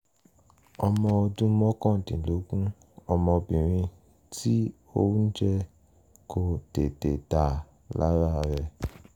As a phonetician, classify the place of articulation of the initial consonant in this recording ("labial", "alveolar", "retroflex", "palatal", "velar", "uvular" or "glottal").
labial